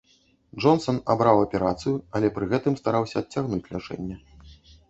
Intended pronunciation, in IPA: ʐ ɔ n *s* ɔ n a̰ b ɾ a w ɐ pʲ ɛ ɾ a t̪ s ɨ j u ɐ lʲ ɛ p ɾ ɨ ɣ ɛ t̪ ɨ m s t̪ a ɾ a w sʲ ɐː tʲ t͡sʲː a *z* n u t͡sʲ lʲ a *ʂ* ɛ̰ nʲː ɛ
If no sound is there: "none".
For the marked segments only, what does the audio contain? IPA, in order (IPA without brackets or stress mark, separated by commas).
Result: s, ɣ, t͡ʂ